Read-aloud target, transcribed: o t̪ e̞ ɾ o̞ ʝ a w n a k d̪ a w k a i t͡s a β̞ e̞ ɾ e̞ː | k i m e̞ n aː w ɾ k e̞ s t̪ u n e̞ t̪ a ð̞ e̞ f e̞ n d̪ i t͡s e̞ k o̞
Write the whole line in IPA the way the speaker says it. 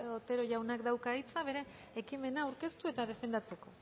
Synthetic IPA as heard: o t̪ e̞ ɾ o̞ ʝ a w n a k d̪ a w k a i t͡s a β̞ e̞ ɾ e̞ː | k i m e̞ n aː w ɾ k e̞ s t̪ u e̞ t̪ a ð̞ e̞ f e̞ n d̪ a t͡s e̞ k o̞